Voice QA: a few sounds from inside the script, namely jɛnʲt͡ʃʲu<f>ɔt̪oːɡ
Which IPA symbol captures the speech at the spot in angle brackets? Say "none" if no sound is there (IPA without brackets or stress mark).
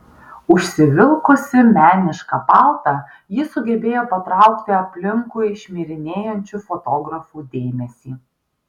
f